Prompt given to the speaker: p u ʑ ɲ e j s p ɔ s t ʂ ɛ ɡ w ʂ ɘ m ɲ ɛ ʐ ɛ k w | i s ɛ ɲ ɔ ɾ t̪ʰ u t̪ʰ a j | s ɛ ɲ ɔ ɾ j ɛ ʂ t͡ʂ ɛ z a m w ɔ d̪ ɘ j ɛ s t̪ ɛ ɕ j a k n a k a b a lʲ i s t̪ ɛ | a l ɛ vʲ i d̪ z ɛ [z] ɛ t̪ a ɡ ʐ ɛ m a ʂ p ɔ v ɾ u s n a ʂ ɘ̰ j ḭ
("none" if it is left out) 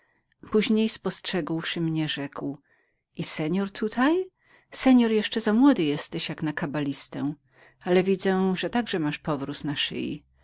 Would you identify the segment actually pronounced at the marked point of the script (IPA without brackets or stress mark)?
ʐ